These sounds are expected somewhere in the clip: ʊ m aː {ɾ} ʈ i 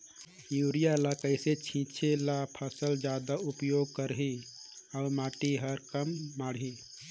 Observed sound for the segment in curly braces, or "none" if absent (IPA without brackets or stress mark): none